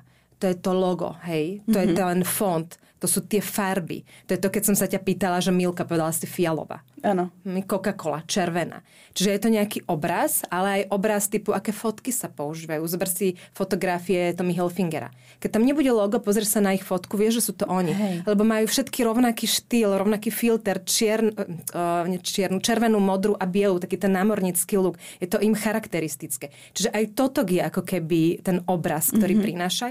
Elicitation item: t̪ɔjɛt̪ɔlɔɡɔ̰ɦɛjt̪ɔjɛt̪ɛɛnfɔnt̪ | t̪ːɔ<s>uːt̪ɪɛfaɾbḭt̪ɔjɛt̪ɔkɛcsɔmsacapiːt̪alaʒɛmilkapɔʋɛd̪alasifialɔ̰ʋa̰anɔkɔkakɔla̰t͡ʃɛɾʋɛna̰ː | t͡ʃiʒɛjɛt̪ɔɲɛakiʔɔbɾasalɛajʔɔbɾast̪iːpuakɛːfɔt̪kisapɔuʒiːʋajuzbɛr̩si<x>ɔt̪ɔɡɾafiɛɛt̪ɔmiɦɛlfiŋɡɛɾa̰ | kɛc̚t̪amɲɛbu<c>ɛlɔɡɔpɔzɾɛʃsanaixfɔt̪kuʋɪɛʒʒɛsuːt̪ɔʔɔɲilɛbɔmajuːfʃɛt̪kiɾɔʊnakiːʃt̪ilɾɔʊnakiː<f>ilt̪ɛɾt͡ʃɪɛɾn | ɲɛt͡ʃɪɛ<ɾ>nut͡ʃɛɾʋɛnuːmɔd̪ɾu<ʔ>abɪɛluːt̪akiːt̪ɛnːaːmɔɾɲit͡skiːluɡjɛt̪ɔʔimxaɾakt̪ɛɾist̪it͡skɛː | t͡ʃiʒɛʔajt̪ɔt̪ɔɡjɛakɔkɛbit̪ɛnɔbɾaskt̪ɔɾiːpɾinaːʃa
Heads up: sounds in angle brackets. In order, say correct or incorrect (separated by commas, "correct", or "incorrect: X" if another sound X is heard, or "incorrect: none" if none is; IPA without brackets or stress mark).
correct, incorrect: f, incorrect: ɟ, correct, correct, correct